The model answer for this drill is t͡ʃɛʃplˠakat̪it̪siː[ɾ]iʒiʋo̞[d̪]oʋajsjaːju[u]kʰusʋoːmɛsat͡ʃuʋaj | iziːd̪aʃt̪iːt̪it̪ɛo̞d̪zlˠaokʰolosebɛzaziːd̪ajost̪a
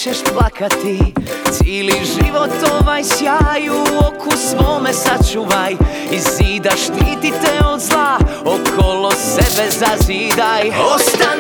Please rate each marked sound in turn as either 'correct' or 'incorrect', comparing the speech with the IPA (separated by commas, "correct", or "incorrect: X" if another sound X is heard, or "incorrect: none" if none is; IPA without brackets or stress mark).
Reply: incorrect: l, incorrect: t̪, incorrect: o